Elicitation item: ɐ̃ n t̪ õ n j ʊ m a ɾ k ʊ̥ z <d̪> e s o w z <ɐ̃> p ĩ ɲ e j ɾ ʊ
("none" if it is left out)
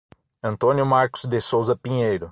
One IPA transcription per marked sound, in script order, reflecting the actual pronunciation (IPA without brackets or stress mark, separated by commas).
d̪, ɐ